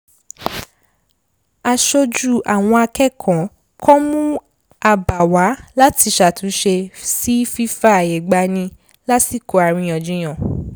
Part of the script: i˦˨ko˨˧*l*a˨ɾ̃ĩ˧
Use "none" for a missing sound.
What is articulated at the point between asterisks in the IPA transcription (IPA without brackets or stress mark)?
none